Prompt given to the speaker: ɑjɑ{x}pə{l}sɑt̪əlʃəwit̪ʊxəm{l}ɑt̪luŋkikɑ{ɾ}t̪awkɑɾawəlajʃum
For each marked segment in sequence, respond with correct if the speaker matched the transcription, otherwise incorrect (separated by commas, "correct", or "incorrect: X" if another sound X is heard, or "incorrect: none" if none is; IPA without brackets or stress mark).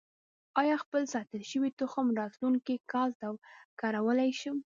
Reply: correct, correct, incorrect: ɾ, incorrect: l